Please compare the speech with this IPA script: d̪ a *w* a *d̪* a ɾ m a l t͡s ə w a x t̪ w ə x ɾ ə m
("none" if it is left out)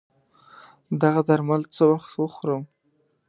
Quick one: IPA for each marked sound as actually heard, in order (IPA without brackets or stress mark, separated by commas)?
ɣ, d̪